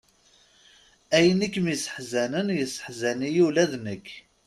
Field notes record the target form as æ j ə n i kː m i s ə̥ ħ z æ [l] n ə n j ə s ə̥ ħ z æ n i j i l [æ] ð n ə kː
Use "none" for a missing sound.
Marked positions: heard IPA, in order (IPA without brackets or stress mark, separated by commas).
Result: none, æ